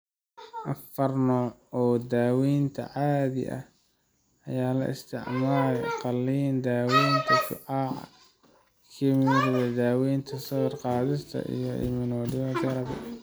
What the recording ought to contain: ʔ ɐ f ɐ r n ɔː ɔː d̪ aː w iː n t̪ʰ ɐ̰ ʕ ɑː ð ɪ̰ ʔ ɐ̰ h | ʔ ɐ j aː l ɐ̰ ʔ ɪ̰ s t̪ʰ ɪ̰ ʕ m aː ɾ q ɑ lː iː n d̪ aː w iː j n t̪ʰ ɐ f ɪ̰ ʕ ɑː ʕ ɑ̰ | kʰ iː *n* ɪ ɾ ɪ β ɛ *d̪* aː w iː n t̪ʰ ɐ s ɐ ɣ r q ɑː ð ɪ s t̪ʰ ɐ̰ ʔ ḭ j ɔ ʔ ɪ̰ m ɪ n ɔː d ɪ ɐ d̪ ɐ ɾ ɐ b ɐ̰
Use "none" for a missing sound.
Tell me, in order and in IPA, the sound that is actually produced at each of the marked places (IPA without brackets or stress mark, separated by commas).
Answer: m, d̪